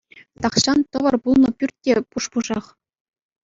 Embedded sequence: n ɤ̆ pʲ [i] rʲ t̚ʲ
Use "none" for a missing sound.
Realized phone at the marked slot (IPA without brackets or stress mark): y